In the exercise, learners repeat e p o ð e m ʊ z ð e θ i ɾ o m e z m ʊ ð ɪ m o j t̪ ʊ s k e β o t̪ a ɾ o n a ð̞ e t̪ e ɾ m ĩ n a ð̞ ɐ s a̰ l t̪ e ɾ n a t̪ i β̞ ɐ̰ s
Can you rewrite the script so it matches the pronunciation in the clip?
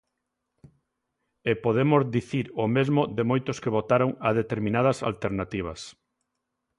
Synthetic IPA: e p o ð e m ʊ z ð i θ i ɾ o m e z m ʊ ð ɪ m o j t̪ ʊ s k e β o t̪ a ɾ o ŋ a ð̞ e t̪ e ɾ m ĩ n a ð̞ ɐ s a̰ l t̪ e ɾ n a t̪ i β̞ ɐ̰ s